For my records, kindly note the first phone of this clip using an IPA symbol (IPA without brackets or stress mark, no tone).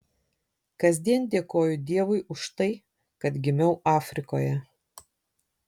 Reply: k